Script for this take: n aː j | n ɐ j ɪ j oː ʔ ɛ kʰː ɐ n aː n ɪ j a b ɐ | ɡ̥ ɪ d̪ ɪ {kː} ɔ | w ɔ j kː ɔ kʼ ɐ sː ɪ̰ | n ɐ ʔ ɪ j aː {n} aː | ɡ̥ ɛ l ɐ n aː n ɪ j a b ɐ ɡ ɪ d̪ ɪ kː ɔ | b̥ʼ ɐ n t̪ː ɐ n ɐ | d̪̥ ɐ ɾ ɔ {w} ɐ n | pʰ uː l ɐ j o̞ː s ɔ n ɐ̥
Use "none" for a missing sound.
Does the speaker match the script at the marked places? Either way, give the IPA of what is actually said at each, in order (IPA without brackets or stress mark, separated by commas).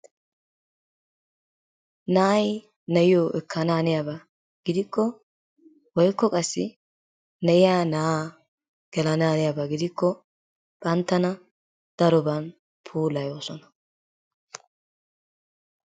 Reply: kː, n, b